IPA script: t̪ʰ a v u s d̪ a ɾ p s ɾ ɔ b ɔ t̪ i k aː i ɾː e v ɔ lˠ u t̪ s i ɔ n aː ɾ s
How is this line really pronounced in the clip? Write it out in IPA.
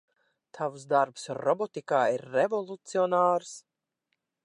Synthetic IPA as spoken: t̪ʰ a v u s d̪ a ɾ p s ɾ ɔ b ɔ t̪ i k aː i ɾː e v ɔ lˠ u t̪ s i ɔ n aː ɾ s